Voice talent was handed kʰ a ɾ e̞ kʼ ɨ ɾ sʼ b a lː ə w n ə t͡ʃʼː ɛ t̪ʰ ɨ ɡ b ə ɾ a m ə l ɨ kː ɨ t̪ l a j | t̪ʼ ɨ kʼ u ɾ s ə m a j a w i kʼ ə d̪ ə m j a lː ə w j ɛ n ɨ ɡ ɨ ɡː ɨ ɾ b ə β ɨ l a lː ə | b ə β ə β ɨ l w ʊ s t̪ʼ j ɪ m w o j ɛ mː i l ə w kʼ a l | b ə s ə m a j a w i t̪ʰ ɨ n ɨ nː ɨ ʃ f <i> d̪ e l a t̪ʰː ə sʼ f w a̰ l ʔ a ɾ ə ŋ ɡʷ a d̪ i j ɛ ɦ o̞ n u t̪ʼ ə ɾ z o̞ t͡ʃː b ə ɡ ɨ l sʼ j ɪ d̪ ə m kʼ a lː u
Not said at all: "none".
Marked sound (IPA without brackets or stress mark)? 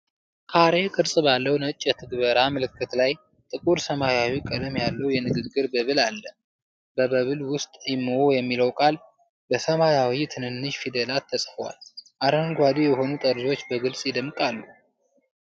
i